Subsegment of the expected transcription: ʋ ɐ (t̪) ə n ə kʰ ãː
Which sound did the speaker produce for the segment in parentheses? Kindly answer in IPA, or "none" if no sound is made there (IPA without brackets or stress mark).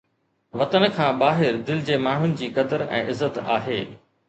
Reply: t̪